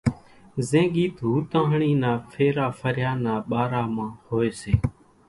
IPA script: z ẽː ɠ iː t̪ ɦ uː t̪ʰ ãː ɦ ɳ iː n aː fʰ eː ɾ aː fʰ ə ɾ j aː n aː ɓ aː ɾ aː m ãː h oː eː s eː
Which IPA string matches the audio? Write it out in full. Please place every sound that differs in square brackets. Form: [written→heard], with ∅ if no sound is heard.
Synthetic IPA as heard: z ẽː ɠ iː t̪ ɦ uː [t̪ʰ→t̪] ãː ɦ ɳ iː n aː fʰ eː ɾ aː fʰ ə ɾ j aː n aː ɓ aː ɾ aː m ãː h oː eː s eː